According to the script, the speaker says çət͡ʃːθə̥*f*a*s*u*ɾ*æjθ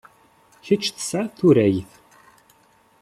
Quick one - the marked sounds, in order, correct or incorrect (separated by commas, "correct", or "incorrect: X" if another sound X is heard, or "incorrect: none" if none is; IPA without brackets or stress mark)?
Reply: incorrect: s, incorrect: θ, correct